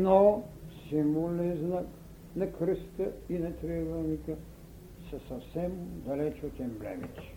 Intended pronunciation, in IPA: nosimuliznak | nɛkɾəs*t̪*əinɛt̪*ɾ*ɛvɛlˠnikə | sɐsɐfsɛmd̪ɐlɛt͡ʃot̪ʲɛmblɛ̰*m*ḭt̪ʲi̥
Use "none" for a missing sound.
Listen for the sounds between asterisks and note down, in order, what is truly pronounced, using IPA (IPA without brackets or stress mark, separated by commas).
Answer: t̪, ɾ, m